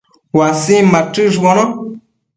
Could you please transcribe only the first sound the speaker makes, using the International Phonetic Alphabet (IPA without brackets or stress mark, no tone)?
w